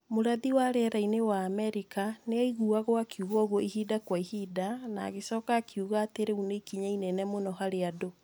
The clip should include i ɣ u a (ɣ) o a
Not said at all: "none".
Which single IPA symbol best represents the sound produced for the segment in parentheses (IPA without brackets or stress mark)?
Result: ɣ